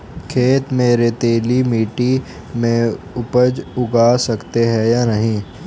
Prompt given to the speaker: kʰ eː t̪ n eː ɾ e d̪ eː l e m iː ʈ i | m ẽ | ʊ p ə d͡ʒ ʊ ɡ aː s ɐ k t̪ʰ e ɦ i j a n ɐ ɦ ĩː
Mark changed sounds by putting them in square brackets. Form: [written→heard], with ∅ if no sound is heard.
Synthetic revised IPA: kʰ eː t̪ [n→m] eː ɾ e [d̪→t̪] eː l [e→i] m iː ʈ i | m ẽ | ʊ p ə d͡ʒ ʊ ɡ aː s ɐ k [t̪ʰ→t̪] e ɦ [i→ɛ] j a n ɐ ɦ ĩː